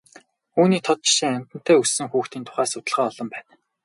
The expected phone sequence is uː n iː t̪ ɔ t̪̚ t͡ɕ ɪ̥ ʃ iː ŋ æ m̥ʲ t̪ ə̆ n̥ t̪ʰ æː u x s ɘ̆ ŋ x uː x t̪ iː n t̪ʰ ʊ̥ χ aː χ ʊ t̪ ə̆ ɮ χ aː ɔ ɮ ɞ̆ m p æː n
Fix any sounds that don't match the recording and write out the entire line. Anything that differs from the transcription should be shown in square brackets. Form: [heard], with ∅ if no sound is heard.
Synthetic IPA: uː n iː [t̪ʰ] ɔ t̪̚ t͡ɕ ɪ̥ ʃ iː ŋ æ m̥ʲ t̪ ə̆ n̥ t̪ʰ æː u [s] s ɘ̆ ŋ x uː x t̪ iː n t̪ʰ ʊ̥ χ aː [s] ʊ t̪ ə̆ ɮ [ʁ] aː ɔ ɮ ɞ̆ m p æː n